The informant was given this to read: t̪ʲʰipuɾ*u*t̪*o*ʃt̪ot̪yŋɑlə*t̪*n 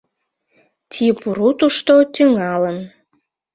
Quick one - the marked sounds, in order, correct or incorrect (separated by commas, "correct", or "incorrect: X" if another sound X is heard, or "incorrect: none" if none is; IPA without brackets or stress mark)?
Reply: correct, incorrect: u, incorrect: none